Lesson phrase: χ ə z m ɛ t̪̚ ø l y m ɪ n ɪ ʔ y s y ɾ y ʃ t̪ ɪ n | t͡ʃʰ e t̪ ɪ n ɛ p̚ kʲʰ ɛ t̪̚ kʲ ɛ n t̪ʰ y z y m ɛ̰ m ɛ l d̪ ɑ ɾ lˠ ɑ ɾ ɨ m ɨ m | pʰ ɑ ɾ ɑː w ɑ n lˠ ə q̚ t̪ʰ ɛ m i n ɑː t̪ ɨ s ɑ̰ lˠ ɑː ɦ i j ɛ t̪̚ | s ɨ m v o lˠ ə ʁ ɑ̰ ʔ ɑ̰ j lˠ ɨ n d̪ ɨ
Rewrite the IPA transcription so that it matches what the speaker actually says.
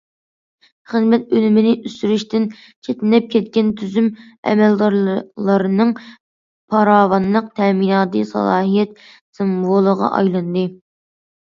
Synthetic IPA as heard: χ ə z m ɛ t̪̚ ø l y m ɪ n ɪ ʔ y s y ɾ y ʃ t̪ ɪ n | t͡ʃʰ e t̪ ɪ n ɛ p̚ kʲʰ ɛ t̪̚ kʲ ɛ n t̪ʰ y z y m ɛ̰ m ɛ l d̪ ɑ ɾ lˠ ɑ ɾ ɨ n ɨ ŋ | pʰ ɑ ɾ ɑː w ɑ n lˠ ə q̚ t̪ʰ ɛ m i n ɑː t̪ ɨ s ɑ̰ lˠ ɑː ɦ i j ɛ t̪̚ | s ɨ m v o lˠ ə ʁ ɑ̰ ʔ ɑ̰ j lˠ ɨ n d̪ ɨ